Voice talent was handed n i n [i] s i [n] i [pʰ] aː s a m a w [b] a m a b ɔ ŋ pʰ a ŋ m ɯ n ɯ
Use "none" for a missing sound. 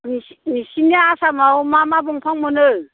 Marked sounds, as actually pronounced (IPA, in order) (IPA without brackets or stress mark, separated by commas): i, n, none, m